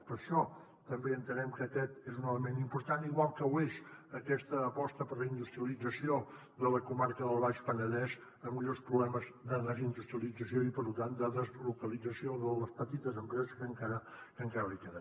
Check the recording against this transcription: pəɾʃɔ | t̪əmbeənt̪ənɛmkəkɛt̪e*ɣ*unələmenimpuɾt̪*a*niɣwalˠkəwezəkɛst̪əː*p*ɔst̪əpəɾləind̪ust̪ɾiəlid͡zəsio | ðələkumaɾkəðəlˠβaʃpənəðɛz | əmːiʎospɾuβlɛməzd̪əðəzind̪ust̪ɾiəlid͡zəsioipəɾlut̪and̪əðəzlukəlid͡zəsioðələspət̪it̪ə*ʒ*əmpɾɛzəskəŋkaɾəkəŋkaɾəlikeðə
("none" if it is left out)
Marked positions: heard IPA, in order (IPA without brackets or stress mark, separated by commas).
z, a, p, z